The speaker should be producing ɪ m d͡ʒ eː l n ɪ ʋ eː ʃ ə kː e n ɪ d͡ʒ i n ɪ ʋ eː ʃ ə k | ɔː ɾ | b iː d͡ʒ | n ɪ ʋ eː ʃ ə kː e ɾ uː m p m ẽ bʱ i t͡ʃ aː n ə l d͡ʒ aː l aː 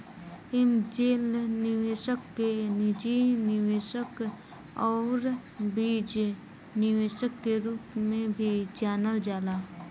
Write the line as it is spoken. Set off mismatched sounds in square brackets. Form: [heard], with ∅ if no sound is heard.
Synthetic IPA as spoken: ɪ m d͡ʒ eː l n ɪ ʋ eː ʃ ə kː e n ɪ d͡ʒ i n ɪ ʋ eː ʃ ə k | ɔː ɾ | b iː d͡ʒ | n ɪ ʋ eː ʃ ə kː e ɾ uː [∅] p m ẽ bʱ i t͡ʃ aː n ə l d͡ʒ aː l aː